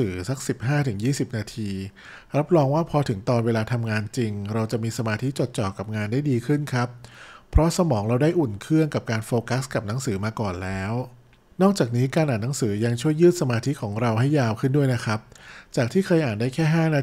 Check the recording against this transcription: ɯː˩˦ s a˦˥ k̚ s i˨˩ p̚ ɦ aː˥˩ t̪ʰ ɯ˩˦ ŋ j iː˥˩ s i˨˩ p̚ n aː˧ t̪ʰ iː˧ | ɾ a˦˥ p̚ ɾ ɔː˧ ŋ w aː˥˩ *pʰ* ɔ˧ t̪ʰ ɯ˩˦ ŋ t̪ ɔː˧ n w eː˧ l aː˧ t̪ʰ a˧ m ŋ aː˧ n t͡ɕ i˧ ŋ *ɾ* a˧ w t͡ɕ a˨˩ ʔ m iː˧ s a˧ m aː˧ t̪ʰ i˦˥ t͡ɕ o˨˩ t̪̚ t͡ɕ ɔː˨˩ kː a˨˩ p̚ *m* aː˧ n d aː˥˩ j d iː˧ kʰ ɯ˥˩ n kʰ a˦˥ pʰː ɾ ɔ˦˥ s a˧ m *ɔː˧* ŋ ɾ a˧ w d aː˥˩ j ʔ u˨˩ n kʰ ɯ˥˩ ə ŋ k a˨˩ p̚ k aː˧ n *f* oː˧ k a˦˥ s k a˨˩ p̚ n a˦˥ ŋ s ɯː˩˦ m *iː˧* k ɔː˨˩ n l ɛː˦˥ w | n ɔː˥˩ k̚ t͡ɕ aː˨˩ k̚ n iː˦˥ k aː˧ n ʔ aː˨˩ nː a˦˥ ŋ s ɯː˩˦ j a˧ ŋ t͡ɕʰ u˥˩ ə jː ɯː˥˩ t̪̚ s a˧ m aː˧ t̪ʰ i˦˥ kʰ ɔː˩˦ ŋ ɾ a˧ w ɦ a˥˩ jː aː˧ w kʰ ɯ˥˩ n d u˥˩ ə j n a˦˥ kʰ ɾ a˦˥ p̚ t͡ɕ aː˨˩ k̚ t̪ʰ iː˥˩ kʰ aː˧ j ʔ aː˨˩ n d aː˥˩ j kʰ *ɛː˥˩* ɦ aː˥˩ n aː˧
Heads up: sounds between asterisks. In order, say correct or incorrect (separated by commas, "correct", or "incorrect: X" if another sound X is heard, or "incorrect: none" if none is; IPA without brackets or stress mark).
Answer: correct, correct, incorrect: ŋ, incorrect: ɔː˩˦, correct, incorrect: aː˧, correct